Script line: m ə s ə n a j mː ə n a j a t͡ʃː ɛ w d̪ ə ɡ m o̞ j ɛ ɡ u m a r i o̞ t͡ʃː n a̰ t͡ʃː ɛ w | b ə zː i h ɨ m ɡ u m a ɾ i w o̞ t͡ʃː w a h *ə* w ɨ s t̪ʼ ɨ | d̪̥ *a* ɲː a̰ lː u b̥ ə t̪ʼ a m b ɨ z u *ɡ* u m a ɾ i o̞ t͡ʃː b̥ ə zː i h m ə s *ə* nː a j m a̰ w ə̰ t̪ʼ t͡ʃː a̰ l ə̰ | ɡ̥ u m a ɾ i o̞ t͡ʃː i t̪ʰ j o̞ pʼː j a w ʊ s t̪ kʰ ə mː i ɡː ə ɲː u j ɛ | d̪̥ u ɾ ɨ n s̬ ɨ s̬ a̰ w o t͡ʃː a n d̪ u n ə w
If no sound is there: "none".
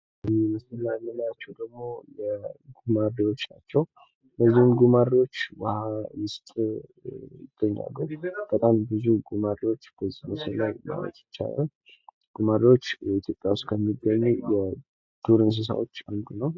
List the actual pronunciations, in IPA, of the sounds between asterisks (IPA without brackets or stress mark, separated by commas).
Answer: a, ə, ɡ, ə